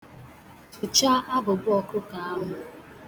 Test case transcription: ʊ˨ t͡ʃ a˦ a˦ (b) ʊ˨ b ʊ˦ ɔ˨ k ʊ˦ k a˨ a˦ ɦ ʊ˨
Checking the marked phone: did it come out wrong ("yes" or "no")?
no